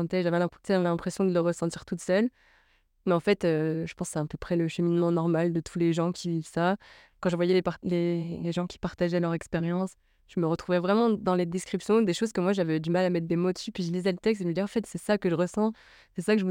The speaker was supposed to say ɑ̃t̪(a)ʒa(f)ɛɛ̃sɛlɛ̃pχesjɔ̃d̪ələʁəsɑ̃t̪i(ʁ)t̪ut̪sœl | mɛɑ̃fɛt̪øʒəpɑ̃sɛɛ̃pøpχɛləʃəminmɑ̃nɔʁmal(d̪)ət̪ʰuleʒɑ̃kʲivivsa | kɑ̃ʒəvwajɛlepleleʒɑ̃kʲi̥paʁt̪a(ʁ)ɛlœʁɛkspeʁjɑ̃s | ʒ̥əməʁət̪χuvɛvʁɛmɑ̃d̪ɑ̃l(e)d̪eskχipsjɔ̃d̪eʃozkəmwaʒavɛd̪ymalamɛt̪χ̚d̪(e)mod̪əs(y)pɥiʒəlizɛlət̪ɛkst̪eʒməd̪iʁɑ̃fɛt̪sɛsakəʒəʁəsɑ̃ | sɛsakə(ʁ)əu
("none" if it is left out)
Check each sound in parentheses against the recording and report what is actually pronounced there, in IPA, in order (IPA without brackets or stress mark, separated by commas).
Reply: ɛ, v, ʁ, d̪, ʒ, e, e, y, ʒ